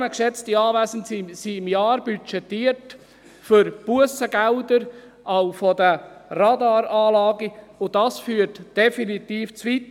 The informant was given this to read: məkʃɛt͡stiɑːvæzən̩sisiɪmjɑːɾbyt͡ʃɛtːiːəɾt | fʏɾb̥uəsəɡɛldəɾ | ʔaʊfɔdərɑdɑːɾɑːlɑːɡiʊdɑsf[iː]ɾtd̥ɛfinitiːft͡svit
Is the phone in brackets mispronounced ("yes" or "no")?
yes